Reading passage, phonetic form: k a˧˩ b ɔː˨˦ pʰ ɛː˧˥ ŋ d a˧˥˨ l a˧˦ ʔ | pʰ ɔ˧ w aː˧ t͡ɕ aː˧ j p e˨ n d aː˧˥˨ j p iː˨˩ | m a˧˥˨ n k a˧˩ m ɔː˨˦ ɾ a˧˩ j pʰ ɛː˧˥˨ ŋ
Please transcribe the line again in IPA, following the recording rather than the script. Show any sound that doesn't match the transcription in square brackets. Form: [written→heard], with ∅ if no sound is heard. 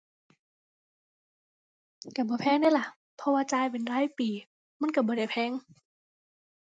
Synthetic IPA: k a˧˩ b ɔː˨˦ pʰ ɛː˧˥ ŋ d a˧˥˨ l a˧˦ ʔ | pʰ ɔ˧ w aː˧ t͡ɕ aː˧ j p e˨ n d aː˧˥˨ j p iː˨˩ | m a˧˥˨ n k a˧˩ [m→b] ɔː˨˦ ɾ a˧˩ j pʰ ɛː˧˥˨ ŋ